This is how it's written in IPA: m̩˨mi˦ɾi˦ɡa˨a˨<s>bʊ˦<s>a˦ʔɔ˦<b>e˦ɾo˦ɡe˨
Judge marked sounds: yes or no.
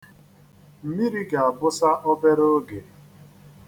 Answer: no, yes, yes

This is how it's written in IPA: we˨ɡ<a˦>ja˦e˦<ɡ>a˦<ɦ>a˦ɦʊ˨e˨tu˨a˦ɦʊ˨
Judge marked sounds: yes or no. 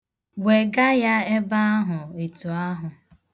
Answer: yes, no, no

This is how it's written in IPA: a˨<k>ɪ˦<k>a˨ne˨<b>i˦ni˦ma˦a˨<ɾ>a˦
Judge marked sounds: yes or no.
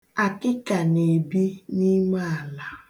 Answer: yes, yes, yes, no

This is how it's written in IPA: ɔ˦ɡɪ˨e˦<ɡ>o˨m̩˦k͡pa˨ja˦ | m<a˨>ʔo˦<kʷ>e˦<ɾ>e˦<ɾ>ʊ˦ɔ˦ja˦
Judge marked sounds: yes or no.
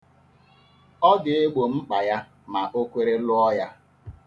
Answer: no, yes, yes, yes, no

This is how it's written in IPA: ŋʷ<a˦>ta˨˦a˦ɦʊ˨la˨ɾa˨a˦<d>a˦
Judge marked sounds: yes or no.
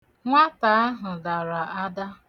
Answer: yes, yes

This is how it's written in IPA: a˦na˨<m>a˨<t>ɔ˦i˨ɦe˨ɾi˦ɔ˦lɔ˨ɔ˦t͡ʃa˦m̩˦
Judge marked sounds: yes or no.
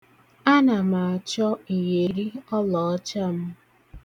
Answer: yes, no

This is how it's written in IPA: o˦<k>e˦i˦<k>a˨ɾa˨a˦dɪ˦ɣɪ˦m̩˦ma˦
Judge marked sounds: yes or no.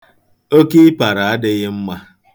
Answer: yes, no

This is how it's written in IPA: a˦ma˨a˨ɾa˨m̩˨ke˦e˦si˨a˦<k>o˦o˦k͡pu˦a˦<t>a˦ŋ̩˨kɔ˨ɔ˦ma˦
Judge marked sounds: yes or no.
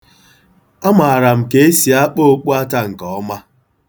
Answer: no, yes

